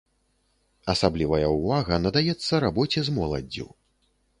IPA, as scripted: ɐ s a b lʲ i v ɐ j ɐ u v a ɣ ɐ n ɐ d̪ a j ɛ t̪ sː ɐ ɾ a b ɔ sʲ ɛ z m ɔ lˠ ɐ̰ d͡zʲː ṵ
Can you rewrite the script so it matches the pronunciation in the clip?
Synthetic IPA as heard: ɐ s a b lʲ i v ɐ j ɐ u v a ɣ ɐ n ɐ d̪ a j ɛ t̪ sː ɐ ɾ a b ɔ t͡sʲ ɛ z m ɔ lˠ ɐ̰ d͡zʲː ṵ

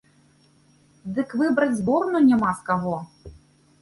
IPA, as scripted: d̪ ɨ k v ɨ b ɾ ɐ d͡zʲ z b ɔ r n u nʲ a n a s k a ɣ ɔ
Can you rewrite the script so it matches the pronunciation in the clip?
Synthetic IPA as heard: d̪ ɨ k v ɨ b ɾ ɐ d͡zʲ z b ɔ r n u nʲ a m a s k a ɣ ɔ

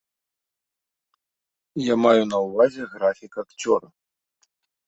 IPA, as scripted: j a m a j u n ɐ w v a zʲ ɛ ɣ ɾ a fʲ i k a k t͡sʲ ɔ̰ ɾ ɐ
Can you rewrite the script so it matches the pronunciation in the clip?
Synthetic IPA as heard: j a m a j u n ɐ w v a zʲ ɛ ɣ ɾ a fʲ i k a k t͡sʲ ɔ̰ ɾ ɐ

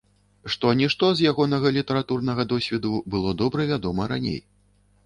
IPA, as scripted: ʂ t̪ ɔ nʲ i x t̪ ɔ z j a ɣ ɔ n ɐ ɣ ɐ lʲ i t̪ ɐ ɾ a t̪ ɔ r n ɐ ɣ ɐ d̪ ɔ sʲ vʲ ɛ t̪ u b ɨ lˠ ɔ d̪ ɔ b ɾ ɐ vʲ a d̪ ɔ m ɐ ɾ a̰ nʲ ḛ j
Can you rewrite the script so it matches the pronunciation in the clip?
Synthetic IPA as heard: ʂ t̪ ɔ nʲ i ʂ t̪ ɔ z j a ɣ ɔ n ɐ ɣ ɐ lʲ i t̪ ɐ ɾ a t̪ u r n ɐ ɣ ɐ d̪ ɔ sʲ vʲ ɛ d̪ u b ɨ lˠ ɔ d̪ ɔ b ɾ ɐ vʲ a d̪ ɔ m ɐ ɾ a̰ nʲ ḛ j

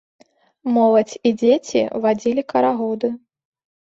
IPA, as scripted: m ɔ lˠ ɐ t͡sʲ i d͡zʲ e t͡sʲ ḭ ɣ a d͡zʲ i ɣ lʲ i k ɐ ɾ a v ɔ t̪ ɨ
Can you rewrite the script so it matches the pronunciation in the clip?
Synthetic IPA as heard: m ɔ lˠ ɐ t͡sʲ i d͡zʲ e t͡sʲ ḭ v a d͡zʲ i lʲ i k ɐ ɾ a ɣ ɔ d̪ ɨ

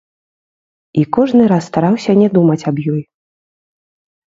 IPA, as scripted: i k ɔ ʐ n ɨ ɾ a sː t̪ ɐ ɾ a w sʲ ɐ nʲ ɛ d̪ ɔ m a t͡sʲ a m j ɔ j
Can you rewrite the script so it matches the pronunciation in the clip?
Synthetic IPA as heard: i k ɔ ʐ n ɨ ɾ a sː t̪ a ɾ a w sʲ ɐ nʲ ɛ d̪ u m ɐ t͡sʲ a b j ɔ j

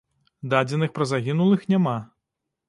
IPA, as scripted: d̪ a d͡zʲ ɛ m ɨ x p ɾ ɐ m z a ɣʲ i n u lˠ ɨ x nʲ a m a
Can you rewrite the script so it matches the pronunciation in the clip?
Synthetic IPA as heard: d̪ a d͡zʲ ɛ n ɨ x p ɾ ɐ z a ɣʲ i n u lˠ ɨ x nʲ a m a

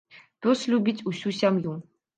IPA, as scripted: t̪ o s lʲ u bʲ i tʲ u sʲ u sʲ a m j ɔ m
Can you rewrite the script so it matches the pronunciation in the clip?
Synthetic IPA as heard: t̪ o s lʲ u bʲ i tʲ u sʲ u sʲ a m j u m

